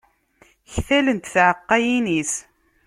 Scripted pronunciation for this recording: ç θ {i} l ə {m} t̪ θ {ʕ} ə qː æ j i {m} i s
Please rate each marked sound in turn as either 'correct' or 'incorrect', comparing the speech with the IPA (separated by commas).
incorrect, incorrect, correct, incorrect